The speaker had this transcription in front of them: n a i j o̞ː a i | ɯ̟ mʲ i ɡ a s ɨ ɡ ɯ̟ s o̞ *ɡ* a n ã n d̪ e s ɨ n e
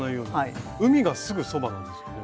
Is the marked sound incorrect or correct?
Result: incorrect